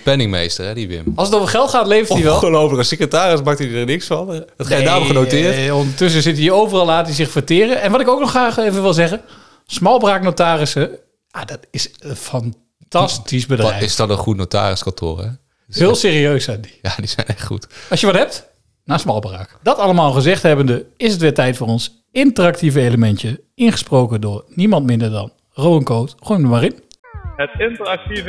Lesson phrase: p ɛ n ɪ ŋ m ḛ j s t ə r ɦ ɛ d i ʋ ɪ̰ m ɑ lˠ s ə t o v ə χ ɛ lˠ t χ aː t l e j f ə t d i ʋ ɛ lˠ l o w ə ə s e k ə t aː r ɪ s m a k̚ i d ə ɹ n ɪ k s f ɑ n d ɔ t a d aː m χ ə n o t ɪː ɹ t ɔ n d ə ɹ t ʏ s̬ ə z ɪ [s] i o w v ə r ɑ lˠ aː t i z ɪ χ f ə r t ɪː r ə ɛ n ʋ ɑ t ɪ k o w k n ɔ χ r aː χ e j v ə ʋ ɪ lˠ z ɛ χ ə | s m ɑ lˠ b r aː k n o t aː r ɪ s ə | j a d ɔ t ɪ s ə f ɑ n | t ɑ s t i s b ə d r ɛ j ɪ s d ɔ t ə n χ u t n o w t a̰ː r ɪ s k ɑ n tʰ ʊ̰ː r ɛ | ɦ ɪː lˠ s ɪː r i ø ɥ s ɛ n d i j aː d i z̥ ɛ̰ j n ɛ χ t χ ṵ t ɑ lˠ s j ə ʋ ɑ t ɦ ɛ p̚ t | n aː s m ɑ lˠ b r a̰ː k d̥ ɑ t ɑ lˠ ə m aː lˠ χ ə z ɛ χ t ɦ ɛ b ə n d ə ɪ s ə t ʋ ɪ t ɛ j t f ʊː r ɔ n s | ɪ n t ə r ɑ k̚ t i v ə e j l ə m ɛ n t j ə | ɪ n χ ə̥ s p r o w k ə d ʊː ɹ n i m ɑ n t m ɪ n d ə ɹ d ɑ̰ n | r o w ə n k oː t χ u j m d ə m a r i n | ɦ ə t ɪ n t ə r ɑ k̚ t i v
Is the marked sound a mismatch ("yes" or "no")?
yes